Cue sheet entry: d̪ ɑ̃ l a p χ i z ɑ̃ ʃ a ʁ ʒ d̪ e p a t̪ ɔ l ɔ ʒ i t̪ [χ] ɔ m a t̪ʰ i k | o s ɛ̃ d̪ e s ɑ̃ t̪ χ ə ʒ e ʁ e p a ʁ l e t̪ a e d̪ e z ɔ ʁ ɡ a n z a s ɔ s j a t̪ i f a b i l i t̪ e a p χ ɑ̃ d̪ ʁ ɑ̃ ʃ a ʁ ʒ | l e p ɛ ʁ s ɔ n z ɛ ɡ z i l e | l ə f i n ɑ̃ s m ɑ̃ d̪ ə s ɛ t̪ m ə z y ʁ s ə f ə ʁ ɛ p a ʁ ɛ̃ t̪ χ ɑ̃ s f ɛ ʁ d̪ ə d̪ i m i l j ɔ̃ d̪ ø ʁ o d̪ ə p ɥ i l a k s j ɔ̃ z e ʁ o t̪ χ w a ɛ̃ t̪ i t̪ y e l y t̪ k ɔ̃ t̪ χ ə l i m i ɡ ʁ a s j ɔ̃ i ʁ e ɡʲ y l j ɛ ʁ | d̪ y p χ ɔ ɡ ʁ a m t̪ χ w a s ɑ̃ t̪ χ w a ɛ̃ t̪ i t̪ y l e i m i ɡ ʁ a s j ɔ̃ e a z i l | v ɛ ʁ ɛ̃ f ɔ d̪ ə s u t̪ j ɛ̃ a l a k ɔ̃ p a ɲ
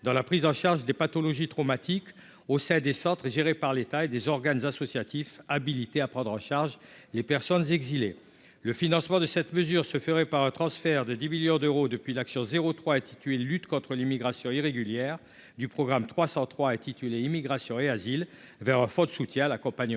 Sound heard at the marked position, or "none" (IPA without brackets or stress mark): χ